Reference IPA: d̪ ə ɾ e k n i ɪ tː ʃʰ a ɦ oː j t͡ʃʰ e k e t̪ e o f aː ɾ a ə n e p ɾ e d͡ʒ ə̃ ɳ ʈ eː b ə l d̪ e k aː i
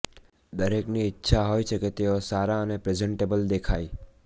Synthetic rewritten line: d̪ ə ɾ e k n i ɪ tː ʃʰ a ɦ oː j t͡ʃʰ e k e t̪ e o s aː ɾ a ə n e p ɾ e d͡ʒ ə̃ ɳ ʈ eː b ə l d̪ e kʰ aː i